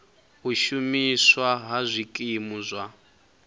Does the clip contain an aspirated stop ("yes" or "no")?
no